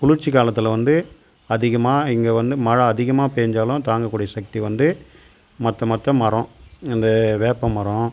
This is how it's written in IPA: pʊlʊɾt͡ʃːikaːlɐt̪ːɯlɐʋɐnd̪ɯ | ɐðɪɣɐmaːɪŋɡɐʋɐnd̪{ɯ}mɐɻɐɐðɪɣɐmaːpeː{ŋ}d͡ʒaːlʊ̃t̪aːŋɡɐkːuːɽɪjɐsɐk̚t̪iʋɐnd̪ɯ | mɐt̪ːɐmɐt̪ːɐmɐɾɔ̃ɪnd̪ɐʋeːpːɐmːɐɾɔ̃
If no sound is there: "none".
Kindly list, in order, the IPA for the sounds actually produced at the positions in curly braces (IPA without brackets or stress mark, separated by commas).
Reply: ɯ, ɲ